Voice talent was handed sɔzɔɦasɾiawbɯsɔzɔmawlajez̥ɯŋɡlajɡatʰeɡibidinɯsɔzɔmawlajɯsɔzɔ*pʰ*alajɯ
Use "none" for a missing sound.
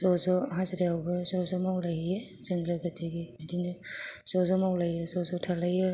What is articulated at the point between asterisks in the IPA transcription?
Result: tʰ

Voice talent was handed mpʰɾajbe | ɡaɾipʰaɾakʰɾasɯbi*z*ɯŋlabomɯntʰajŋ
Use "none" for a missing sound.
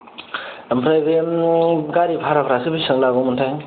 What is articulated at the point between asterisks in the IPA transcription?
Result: s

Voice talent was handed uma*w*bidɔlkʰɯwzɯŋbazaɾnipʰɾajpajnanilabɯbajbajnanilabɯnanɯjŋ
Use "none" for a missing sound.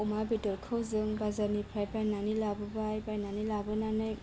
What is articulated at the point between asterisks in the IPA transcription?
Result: none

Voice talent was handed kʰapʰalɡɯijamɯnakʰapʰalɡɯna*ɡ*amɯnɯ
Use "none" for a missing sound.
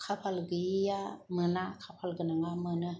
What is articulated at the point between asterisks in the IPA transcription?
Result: ŋ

